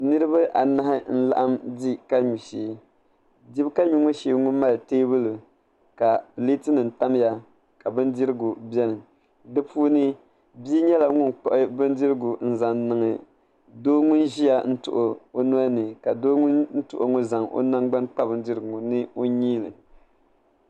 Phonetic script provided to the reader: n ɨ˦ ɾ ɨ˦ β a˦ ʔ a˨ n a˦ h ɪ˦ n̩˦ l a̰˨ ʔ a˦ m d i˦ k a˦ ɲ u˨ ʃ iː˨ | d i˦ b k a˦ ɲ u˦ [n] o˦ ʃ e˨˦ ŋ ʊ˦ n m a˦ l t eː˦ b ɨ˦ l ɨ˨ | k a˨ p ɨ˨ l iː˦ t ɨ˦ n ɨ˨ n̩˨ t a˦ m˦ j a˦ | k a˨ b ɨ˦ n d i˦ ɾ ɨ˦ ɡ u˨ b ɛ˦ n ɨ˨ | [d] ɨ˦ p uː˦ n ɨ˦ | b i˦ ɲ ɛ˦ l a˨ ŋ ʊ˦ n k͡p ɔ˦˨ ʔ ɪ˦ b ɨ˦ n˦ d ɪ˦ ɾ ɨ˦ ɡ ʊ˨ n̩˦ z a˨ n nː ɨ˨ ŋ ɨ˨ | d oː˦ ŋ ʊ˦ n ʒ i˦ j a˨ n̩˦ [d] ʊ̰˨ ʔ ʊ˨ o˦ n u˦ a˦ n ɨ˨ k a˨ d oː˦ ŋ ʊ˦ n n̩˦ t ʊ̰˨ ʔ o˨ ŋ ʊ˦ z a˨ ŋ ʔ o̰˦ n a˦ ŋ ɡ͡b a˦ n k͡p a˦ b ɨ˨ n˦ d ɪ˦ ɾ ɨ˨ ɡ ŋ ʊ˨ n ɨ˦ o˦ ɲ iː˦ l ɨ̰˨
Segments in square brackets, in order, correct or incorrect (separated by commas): incorrect, correct, incorrect